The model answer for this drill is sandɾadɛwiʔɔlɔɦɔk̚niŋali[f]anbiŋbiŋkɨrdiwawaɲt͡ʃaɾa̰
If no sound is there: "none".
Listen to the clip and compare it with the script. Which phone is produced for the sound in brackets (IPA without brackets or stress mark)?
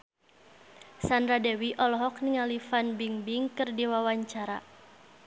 f